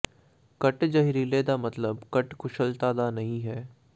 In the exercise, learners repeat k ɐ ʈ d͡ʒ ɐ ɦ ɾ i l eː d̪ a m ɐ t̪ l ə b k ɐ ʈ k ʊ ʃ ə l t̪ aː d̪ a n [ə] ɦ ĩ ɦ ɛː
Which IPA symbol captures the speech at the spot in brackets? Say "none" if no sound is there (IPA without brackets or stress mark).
ɐ